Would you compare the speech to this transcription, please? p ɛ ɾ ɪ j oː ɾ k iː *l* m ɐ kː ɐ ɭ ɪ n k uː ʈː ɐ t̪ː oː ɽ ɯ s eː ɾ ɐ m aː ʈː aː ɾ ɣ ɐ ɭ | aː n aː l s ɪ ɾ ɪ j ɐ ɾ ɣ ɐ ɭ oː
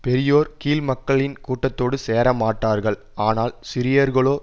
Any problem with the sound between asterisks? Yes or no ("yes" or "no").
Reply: no